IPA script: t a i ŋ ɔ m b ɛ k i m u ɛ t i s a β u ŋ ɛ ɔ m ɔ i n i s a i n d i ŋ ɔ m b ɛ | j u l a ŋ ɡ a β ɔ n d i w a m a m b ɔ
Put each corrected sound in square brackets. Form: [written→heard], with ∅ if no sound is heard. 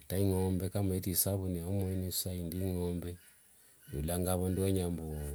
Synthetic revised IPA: t a i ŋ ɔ m b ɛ k [i→a] m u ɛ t i s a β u [ŋ→n] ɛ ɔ m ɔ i n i s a i n d i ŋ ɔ m b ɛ | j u l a ŋ ɡ a β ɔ n d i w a [m→ɲ] a m b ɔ

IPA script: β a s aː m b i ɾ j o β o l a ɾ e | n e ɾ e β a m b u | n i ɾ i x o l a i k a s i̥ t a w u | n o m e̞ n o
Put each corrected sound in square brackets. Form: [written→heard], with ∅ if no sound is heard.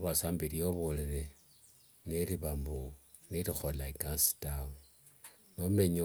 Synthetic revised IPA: β a s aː m b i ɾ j o β o l [a→e] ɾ e | n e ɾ [e→i] β a m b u | n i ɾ i x o l a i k a s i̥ t a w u | n o m e̞ [n→ɲ] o

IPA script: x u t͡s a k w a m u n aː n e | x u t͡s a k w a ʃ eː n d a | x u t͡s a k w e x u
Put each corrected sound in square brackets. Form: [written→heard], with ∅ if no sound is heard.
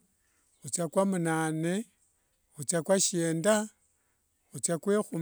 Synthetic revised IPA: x u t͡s a k w a m u n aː n e | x u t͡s a k w a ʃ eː n d a | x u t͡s a k w e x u

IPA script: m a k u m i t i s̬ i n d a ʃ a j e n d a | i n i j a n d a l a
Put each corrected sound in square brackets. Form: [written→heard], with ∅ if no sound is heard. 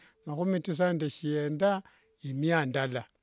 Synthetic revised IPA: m a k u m i t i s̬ [i→a] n d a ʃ [a→i] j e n d a | i [n→m] i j a n d a l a

